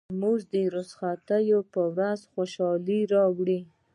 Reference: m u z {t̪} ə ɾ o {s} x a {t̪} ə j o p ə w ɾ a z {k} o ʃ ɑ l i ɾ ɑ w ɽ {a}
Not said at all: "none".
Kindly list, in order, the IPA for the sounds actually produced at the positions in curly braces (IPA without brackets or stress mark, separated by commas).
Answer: d̪, s, t̪, x, i